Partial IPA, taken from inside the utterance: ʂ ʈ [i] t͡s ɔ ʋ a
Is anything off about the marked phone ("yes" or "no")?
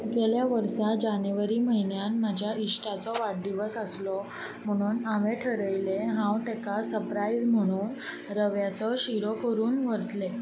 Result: yes